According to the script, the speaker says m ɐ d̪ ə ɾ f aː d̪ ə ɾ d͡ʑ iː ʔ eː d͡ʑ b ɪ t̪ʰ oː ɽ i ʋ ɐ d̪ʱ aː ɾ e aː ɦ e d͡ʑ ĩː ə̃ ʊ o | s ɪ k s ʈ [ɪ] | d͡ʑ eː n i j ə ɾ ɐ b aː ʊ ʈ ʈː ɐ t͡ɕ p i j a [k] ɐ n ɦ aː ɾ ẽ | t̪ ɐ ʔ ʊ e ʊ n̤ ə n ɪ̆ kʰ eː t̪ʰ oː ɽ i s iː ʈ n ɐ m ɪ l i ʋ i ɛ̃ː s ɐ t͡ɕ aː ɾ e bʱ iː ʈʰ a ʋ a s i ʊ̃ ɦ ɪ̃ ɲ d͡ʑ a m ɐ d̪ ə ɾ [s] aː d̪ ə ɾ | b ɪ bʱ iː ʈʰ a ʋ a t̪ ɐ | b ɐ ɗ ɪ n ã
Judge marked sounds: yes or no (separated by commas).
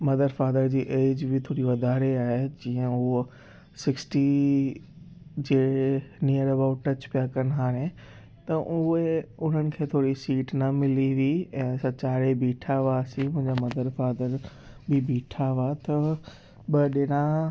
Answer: no, yes, no